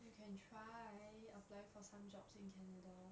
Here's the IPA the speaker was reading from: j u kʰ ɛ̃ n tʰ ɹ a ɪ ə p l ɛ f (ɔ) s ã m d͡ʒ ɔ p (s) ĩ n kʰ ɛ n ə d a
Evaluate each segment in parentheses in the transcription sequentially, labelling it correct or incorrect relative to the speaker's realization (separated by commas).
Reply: correct, correct